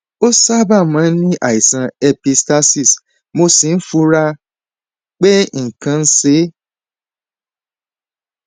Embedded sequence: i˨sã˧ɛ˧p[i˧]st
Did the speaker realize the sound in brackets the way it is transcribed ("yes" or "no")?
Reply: yes